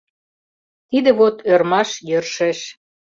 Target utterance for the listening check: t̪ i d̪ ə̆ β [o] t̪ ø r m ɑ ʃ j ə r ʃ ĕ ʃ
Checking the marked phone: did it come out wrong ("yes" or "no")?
no